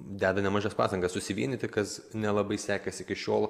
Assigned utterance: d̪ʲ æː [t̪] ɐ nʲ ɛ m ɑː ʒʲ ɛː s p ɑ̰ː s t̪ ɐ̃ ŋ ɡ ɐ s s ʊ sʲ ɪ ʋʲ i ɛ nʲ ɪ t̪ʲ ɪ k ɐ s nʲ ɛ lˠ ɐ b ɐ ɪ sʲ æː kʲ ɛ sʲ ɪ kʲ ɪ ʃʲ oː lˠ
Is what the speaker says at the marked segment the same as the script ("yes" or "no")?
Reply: no